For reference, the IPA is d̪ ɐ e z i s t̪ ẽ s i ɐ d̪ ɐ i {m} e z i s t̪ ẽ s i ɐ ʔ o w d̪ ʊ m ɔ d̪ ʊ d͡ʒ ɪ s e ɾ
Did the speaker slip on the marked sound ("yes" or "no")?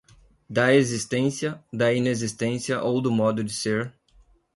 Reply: yes